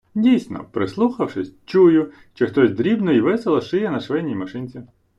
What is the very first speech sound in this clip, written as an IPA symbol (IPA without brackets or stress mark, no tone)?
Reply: dʲ